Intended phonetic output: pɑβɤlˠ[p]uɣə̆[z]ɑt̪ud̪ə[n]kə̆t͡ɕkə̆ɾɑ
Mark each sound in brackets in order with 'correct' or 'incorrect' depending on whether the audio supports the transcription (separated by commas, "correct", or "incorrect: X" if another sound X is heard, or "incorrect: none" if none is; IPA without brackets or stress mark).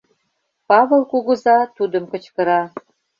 incorrect: k, correct, incorrect: m